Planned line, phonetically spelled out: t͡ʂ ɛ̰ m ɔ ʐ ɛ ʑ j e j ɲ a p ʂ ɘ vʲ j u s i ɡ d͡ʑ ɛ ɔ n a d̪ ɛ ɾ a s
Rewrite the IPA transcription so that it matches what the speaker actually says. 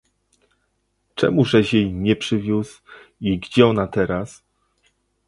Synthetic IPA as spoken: t͡ʂ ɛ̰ m u ʐ ɛ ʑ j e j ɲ ɛ p ʂ ɘ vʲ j u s i ɡ d͡ʑ ɛ ɔ n a t̪ ɛ ɾ a s